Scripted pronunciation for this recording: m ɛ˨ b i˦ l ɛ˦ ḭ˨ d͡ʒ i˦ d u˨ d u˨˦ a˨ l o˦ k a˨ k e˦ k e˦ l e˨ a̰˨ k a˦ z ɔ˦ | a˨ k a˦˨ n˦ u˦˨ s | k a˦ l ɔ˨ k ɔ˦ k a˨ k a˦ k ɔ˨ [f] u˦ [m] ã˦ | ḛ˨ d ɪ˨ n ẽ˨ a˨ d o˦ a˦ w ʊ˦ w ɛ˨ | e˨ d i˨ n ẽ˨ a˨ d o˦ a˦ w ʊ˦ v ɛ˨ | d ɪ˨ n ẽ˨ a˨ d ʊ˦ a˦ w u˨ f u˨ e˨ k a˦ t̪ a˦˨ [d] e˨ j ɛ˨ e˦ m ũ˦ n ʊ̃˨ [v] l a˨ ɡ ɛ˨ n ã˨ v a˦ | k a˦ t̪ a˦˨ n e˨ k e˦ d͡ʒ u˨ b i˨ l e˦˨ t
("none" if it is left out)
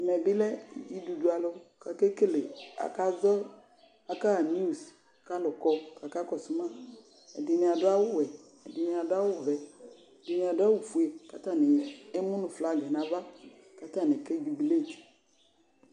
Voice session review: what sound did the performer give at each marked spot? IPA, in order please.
s, m, n, f

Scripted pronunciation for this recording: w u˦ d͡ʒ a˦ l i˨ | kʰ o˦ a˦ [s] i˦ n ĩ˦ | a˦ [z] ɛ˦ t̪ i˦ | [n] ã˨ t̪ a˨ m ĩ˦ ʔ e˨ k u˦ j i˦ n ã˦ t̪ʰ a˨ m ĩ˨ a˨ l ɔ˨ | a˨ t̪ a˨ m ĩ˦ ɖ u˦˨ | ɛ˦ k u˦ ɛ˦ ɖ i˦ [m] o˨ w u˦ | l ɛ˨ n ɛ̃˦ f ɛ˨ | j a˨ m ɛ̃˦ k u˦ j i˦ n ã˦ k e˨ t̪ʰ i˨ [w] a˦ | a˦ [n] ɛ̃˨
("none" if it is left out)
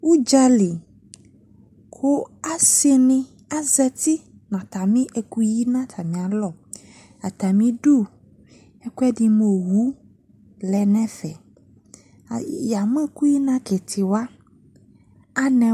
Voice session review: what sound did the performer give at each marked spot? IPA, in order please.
s, z, n, m, w, n

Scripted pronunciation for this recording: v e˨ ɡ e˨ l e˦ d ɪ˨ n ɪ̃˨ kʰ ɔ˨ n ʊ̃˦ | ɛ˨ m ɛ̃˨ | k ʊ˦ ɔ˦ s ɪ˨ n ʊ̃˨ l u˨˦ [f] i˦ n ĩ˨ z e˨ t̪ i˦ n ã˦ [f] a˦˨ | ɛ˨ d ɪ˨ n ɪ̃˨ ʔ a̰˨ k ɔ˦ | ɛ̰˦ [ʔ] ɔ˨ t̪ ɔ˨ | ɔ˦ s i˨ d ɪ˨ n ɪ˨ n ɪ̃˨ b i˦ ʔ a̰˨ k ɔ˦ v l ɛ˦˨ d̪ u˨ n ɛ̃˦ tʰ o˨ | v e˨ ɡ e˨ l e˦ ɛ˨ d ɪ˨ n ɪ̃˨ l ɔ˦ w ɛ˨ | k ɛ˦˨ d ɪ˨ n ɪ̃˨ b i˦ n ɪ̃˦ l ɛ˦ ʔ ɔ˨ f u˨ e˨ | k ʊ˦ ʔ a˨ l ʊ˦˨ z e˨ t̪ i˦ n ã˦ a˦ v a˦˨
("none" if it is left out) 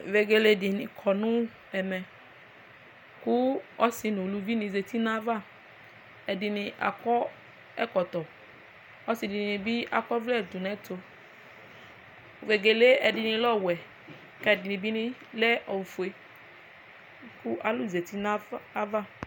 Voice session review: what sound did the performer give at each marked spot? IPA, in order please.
v, v, k

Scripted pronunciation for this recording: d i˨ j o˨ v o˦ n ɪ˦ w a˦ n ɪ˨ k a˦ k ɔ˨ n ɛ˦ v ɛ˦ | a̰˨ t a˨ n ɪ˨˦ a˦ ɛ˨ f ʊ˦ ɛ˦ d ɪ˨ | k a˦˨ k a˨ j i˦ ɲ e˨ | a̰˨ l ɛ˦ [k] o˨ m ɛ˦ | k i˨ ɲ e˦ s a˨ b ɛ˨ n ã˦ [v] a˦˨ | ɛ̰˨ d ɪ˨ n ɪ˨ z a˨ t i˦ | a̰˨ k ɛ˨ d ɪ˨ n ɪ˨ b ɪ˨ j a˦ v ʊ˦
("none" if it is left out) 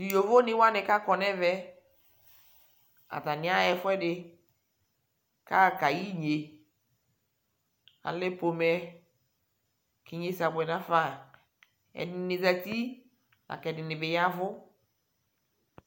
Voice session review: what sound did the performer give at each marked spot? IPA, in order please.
p, f

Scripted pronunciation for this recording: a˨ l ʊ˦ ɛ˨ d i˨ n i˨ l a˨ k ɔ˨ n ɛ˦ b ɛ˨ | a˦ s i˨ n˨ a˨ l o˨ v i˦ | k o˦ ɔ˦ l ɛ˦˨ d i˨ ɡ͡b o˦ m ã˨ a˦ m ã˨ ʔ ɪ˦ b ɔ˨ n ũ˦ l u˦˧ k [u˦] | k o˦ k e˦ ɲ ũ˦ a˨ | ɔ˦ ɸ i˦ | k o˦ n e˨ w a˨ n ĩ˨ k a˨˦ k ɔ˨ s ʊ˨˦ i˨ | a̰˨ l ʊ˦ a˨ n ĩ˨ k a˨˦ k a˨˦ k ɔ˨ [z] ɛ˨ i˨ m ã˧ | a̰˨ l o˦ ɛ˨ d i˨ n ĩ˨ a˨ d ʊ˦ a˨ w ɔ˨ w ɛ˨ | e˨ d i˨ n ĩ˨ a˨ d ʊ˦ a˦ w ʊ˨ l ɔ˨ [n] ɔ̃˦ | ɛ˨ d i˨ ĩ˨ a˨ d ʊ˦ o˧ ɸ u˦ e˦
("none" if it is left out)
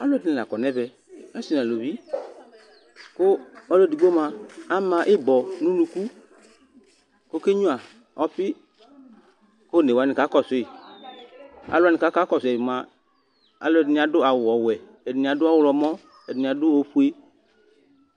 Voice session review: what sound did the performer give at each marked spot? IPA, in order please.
u˦, s, m

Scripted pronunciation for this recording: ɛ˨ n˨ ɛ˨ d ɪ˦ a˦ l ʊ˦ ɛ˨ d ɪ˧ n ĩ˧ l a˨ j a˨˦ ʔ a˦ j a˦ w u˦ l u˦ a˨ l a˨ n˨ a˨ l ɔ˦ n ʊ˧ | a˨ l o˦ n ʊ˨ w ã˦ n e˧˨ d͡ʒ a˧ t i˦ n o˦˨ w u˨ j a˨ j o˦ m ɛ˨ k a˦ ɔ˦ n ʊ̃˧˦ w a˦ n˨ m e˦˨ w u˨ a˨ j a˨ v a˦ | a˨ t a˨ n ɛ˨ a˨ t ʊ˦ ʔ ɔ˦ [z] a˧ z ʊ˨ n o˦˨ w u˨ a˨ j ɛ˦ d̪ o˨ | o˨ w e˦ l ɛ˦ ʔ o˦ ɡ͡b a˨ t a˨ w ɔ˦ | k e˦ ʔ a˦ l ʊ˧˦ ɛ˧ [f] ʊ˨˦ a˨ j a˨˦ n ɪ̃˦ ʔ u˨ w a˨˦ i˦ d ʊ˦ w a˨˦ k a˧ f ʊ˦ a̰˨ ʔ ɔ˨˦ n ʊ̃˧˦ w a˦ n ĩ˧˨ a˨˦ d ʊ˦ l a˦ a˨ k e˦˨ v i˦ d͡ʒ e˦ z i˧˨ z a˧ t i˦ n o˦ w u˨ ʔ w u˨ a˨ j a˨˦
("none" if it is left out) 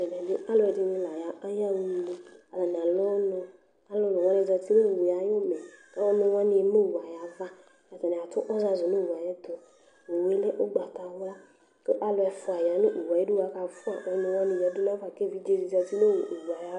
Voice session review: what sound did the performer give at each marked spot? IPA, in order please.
z, f

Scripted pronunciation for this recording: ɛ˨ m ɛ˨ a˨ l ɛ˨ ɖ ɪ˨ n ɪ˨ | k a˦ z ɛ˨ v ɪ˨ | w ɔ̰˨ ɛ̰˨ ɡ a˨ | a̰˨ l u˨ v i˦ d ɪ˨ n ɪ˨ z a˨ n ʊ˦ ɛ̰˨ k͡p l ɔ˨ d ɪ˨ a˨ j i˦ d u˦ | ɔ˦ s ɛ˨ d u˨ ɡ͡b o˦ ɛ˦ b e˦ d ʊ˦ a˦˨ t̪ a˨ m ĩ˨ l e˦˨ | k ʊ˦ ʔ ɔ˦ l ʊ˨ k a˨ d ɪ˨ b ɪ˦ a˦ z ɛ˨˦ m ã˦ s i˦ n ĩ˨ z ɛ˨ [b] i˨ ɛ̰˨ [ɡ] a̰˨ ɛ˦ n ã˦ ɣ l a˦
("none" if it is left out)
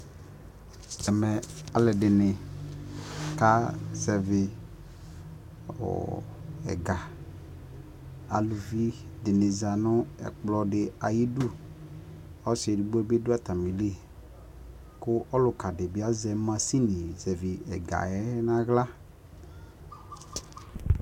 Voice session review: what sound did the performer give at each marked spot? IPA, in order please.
v, ɡ

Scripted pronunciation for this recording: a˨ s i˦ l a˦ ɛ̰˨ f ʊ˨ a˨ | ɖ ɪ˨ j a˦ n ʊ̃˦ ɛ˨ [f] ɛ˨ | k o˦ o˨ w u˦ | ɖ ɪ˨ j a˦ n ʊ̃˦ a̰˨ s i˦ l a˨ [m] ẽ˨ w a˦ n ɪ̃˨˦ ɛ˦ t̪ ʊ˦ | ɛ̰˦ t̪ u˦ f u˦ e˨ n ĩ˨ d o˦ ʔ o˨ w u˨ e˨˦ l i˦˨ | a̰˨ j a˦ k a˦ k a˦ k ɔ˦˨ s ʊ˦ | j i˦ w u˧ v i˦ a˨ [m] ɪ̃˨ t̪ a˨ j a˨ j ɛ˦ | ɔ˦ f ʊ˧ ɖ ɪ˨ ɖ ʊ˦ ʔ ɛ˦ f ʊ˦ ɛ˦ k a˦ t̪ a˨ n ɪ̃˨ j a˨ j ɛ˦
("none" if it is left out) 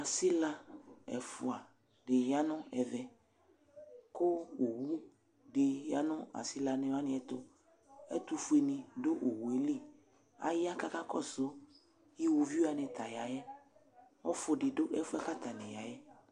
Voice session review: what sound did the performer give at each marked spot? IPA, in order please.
v, n, n

